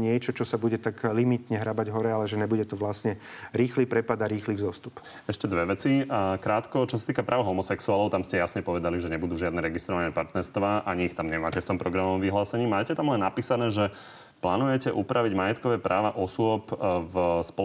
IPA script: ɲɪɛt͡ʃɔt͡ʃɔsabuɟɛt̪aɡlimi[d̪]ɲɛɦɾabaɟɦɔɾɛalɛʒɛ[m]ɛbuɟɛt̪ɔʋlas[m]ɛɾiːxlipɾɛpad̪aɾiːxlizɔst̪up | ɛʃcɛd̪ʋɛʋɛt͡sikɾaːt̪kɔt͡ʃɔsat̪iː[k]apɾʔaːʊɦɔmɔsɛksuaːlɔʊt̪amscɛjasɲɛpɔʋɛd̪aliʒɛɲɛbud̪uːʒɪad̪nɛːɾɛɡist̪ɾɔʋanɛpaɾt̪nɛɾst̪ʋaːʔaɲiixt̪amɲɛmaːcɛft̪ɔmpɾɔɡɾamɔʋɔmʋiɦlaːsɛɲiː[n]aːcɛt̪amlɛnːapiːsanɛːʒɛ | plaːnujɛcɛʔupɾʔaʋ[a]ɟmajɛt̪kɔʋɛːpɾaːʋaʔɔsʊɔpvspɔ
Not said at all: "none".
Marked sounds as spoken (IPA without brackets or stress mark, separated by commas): t̪, ɲ, ɲ, k, m, i